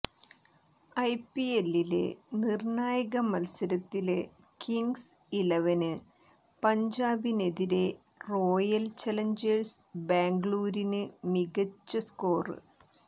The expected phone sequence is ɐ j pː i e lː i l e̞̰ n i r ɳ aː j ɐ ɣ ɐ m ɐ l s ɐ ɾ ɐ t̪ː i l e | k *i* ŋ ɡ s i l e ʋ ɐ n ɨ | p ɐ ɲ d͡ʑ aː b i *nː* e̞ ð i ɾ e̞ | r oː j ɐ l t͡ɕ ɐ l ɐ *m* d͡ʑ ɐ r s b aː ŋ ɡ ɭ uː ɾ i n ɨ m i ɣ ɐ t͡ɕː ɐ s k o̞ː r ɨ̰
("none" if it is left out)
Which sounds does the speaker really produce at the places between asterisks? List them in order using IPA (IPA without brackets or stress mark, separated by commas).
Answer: i, n, ɲ